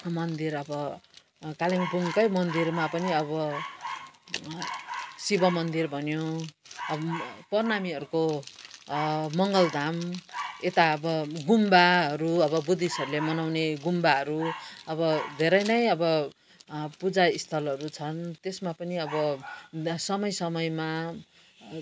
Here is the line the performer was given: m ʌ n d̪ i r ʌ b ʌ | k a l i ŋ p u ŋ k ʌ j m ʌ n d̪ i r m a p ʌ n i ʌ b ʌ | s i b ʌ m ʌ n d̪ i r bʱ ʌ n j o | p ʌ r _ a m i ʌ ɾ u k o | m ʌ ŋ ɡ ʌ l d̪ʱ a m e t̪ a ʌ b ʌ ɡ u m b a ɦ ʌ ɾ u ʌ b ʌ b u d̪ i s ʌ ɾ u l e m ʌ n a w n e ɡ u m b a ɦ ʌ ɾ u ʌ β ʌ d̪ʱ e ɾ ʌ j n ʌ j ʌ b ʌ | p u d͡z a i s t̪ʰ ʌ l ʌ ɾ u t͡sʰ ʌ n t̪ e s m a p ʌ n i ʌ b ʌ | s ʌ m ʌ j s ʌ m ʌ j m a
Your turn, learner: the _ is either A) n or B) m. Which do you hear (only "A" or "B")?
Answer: A